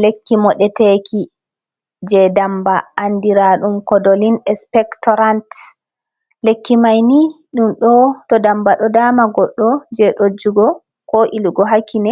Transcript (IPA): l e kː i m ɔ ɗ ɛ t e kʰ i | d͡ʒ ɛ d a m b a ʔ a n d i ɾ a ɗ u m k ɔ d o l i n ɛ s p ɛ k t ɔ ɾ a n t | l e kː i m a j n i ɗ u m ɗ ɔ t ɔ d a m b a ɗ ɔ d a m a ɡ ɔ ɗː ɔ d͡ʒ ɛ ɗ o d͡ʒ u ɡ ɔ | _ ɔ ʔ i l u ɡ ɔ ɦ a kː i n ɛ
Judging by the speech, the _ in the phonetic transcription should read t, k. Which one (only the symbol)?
k